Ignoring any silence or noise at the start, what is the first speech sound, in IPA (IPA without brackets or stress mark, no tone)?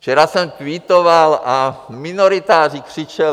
t͡ʃ